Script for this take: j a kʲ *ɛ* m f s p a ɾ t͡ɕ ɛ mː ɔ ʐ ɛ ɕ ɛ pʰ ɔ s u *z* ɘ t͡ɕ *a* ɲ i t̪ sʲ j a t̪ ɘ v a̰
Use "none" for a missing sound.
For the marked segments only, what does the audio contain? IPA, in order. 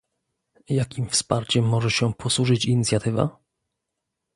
i, ʐ, i

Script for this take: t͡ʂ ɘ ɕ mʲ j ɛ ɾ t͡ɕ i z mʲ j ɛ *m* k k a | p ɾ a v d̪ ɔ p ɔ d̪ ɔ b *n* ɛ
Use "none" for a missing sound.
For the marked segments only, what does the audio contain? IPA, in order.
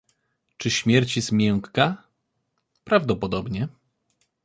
ŋ, ɲ

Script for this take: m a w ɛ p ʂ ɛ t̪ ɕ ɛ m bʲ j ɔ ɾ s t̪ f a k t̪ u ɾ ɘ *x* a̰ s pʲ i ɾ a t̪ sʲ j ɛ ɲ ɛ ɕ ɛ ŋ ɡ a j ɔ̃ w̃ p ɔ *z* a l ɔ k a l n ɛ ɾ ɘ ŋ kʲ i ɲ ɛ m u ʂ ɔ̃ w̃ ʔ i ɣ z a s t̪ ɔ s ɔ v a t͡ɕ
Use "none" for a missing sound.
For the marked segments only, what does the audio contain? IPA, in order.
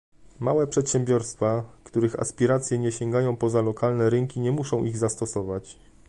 x, z

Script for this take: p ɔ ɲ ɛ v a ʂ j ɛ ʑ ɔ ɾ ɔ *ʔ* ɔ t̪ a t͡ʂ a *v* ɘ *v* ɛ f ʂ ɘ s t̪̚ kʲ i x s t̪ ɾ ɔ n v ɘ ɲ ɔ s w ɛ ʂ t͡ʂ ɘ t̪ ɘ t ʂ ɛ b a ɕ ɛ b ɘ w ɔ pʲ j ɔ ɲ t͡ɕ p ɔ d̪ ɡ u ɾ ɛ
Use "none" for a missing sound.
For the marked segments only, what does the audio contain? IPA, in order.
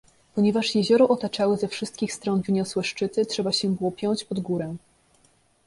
ʔ, w, z

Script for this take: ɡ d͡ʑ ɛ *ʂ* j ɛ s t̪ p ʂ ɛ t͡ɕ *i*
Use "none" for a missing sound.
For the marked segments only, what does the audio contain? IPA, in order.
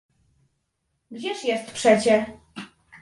ʂ, ɛ

